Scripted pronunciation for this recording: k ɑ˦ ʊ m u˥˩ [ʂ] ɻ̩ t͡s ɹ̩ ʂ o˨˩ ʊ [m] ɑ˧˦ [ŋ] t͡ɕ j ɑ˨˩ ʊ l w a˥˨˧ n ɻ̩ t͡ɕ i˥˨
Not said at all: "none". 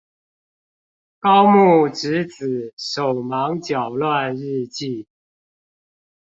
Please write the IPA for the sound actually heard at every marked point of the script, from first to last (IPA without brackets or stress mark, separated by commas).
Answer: ʈ͡ʂ, m, ŋ